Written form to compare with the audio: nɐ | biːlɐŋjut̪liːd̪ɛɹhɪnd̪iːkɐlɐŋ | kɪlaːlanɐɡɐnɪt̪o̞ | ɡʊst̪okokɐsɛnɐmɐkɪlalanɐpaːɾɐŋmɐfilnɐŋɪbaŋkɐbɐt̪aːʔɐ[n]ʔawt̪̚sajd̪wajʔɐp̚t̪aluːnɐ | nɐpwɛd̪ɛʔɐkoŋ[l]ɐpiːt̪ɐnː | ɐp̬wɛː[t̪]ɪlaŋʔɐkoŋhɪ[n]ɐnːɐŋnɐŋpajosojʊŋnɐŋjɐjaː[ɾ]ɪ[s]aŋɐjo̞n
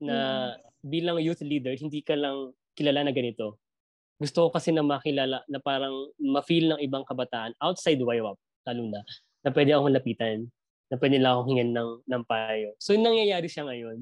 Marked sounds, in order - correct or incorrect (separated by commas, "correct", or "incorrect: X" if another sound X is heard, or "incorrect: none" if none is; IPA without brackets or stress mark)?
correct, correct, incorrect: d̪, incorrect: ŋ, correct, incorrect: ʃ